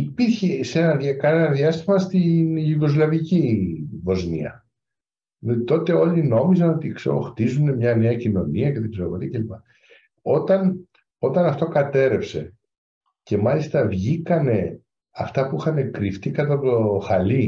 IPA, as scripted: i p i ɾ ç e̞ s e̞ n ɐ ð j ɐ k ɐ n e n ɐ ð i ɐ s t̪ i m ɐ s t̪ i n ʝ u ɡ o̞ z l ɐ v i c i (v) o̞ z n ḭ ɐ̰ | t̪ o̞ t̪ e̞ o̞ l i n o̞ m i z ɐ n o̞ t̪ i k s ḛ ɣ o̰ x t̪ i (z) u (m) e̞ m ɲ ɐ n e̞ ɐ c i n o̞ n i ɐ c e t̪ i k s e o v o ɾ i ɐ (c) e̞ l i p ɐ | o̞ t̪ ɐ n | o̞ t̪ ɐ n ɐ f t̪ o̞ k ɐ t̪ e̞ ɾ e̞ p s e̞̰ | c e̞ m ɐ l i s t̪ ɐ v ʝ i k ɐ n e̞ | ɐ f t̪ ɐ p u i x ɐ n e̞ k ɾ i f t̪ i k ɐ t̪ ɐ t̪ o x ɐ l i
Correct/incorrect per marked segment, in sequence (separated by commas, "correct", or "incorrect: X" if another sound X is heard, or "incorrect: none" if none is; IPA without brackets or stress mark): correct, correct, incorrect: n, correct